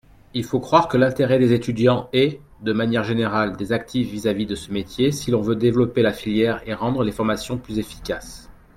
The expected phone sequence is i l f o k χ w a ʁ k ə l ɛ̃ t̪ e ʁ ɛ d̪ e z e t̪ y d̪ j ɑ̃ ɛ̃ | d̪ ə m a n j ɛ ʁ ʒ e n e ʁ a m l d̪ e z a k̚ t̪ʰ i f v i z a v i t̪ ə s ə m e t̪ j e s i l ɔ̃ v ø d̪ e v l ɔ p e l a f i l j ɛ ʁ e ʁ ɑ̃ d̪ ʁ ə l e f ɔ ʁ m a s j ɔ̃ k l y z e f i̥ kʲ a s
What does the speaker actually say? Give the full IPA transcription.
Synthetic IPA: i l f o k χ w a ʁ k ə l ɛ̃ t̪ e ʁ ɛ d̪ e z e t̪ y d̪ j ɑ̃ ɛ | d̪ ə m a n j ɛ ʁ ʒ e n e ʁ a l d̪ e z a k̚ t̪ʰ i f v i z a v i d̪ ə s ə m e t̪ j e s i l ɔ̃ v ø d̪ e v l ɔ p e l a f i l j ɛ ʁ e ʁ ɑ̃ d̪ ʁ ə l e f ɔ ʁ m a s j ɔ̃ p l y z e f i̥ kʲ a s